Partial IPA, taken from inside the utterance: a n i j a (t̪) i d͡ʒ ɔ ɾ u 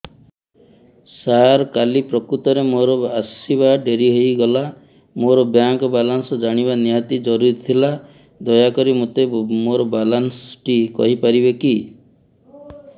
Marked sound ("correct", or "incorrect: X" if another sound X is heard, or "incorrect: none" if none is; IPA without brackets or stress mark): correct